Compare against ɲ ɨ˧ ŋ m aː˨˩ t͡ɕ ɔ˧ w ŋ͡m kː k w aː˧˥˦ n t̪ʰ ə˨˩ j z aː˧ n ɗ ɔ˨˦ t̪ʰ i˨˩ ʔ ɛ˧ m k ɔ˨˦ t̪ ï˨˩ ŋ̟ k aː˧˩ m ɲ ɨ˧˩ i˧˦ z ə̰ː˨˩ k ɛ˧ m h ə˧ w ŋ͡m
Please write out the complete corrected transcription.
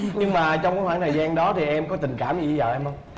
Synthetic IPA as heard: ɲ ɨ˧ ŋ m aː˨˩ t͡ɕ ɔ˧ w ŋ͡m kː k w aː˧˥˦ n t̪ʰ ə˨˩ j z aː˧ n ɗ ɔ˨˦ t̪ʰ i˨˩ ʔ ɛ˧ m k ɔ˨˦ t̪ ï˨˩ ŋ̟ k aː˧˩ m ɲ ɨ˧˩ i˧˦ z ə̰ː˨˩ ʔ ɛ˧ m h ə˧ w ŋ͡m